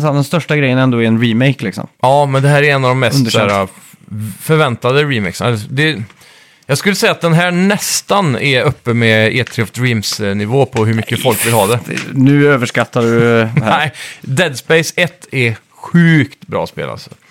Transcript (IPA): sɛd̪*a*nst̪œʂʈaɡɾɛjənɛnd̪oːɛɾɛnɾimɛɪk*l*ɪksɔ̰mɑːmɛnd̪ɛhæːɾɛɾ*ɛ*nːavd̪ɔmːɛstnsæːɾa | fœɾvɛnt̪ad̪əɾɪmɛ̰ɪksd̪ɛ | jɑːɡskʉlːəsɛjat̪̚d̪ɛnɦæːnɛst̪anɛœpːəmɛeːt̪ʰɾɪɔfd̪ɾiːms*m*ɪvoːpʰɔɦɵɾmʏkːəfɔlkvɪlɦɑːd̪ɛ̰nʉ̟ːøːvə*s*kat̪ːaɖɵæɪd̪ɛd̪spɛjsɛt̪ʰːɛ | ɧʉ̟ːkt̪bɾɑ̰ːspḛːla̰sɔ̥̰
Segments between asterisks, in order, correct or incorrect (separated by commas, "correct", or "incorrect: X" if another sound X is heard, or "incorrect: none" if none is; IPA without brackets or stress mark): incorrect: ɛ, correct, correct, incorrect: n, incorrect: ʂ